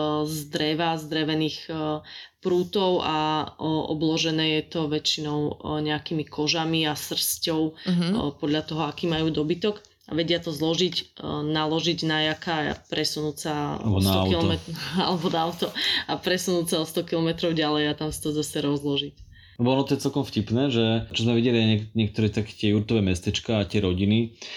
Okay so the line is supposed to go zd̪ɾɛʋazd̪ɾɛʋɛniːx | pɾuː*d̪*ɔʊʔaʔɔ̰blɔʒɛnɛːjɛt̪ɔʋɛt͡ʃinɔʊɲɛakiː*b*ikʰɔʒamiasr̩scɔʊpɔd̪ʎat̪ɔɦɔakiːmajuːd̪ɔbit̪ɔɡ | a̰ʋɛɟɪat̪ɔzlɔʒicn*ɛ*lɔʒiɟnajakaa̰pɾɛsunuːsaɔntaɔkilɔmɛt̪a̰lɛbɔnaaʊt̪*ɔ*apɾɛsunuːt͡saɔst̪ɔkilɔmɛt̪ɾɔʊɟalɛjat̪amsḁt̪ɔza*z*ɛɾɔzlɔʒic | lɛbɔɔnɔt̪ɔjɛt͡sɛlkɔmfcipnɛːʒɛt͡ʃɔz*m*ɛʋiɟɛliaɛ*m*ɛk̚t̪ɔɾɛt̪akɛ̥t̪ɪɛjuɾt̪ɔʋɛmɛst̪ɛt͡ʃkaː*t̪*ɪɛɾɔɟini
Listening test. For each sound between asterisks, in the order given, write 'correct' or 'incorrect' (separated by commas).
incorrect, incorrect, incorrect, correct, incorrect, correct, incorrect, correct